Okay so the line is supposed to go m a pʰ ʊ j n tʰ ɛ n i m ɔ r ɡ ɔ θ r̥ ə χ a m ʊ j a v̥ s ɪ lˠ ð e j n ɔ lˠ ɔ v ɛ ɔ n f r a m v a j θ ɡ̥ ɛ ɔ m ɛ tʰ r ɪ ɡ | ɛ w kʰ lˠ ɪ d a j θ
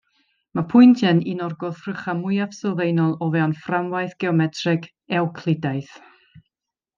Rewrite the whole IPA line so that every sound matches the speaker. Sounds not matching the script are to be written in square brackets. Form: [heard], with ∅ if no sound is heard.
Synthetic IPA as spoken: m a pʰ ʊ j n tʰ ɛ n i [n] ɔ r ɡ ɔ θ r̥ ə χ a m ʊ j a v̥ s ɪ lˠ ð e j n ɔ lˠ ɔ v ɛ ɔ n f r a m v a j θ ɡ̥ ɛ ɔ m ɛ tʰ r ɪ ɡ | ɛ w kʰ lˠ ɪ d a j θ